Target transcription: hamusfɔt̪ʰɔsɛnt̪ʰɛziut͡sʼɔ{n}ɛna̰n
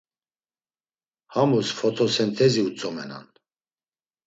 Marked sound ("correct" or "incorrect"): incorrect